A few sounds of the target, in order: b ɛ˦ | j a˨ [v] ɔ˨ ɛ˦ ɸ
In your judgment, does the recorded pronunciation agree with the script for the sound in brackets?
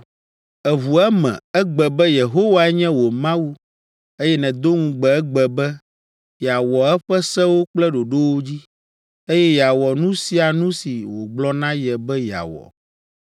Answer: no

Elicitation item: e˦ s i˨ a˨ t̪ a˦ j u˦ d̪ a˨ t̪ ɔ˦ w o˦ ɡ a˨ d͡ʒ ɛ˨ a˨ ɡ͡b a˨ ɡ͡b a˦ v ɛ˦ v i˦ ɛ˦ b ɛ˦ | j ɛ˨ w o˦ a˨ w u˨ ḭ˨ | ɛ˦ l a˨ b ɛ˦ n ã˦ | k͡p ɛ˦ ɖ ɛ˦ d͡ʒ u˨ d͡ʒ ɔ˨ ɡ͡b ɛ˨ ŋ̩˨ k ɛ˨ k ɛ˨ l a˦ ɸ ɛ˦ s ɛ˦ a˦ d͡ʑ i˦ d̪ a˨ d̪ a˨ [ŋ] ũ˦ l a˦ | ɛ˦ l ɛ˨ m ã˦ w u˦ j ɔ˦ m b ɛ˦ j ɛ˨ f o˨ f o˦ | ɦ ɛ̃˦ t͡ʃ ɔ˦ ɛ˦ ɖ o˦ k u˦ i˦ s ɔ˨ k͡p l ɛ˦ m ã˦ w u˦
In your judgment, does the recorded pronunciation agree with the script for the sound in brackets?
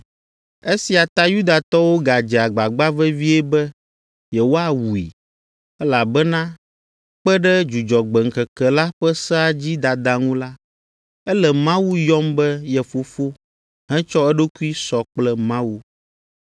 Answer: yes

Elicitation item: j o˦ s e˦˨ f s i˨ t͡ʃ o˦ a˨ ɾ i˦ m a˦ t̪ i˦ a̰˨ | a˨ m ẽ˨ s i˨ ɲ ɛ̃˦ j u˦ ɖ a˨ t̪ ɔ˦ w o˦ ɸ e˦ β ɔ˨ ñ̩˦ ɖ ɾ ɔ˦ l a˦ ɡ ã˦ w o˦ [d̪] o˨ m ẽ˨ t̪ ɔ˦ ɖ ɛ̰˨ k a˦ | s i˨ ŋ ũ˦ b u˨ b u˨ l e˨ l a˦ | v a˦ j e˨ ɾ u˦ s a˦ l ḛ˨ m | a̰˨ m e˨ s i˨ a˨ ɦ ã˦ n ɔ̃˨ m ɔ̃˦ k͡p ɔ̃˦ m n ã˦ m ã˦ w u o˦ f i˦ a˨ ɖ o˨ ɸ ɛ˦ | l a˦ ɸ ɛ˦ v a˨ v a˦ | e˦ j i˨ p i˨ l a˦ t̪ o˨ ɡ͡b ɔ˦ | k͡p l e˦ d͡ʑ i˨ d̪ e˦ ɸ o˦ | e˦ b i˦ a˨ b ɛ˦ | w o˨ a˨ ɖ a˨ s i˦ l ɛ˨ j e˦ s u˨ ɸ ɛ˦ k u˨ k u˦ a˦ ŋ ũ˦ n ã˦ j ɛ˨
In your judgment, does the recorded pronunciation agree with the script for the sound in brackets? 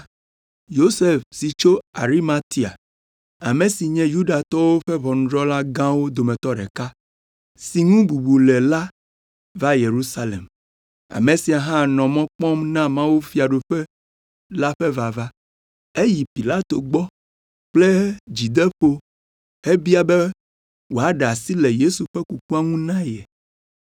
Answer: yes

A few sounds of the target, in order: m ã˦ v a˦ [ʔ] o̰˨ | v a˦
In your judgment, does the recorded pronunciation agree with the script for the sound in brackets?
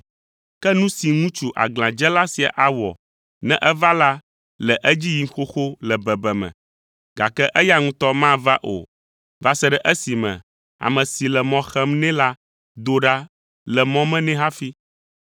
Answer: yes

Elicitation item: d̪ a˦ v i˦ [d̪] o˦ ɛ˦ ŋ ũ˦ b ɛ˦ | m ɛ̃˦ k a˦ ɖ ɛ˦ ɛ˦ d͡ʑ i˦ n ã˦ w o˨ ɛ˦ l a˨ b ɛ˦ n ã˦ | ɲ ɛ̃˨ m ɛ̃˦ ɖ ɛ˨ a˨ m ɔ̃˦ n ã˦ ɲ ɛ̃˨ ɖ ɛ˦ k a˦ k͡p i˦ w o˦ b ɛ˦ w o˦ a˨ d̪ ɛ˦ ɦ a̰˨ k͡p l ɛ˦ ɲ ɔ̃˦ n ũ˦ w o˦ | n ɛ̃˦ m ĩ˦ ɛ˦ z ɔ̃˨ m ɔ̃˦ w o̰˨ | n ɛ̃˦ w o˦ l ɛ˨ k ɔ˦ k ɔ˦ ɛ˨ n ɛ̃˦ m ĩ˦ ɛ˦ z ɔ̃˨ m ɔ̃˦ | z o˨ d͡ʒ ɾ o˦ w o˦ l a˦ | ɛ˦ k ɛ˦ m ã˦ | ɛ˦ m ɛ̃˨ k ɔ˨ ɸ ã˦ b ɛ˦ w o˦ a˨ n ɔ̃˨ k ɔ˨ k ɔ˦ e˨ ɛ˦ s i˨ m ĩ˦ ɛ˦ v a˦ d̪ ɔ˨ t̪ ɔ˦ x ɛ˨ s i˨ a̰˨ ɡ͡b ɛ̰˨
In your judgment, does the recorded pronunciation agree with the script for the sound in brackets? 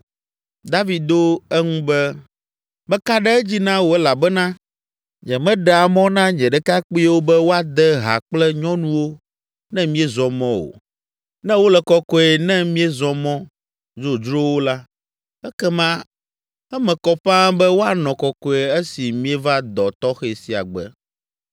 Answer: yes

